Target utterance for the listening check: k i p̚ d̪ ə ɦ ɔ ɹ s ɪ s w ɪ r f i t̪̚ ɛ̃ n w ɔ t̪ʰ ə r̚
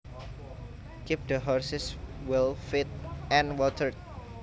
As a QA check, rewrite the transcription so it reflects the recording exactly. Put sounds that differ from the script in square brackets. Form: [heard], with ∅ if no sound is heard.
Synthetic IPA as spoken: k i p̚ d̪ ə ɦ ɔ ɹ s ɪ s w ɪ [l] f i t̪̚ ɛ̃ n w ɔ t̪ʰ ə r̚